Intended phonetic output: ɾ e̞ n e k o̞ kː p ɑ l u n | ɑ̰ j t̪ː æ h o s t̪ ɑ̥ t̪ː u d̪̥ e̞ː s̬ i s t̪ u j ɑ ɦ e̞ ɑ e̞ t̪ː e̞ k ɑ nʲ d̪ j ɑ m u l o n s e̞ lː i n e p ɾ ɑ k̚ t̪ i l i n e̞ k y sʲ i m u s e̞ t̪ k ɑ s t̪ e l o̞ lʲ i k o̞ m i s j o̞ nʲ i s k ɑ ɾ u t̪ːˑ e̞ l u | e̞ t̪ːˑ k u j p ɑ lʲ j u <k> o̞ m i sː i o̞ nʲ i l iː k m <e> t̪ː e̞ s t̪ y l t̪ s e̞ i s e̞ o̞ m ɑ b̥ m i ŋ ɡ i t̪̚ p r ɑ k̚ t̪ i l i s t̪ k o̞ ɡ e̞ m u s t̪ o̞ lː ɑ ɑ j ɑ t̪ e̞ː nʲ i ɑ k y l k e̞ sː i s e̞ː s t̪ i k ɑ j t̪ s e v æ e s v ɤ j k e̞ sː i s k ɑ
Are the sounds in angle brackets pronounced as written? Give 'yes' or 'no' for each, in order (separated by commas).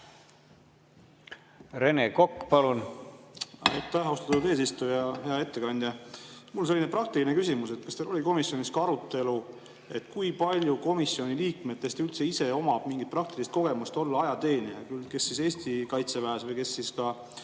yes, yes